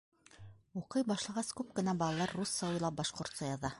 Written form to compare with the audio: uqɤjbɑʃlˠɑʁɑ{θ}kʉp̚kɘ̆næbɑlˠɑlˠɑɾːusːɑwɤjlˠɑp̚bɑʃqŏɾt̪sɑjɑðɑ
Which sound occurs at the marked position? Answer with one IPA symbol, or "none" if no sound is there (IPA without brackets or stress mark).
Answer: s